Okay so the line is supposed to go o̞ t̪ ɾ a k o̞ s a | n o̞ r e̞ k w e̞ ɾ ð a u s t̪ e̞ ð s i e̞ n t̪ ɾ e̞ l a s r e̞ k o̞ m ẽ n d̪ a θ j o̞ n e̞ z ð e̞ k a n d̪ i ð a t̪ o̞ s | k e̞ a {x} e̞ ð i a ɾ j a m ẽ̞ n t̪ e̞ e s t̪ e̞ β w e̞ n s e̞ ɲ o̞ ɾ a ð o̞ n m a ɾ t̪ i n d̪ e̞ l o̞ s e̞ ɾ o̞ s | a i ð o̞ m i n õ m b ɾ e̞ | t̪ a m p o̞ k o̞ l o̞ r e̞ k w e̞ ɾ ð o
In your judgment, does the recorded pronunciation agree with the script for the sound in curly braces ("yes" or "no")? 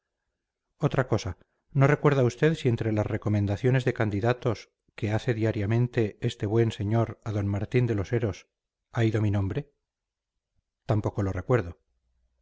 no